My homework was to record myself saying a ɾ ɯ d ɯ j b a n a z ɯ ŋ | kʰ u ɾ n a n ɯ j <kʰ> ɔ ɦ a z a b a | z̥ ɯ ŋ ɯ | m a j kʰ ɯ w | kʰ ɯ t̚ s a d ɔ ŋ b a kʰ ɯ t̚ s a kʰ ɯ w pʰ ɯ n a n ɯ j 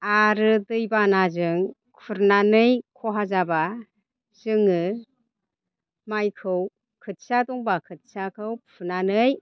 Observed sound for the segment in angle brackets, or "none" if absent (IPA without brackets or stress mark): kʰ